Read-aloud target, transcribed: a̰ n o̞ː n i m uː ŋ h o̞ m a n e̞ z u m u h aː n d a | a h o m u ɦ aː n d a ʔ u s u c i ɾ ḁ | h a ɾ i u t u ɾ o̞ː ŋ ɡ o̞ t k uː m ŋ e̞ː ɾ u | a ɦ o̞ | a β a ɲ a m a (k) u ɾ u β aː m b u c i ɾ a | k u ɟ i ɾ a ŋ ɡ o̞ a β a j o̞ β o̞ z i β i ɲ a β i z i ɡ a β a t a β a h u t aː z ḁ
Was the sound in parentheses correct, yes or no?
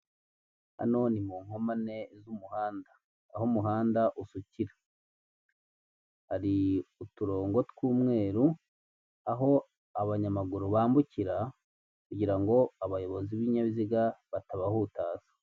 no